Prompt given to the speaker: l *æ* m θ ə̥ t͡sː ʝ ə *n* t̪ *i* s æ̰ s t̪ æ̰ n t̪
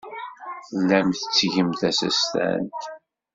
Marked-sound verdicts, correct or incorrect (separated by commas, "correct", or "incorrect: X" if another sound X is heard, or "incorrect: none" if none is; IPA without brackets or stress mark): correct, incorrect: m, incorrect: æ